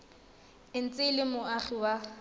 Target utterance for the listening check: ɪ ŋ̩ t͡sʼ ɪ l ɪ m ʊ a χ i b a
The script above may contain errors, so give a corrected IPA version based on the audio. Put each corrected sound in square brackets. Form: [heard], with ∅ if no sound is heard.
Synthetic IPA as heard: ɪ [n̩] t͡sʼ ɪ l ɪ m ʊ a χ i [w] a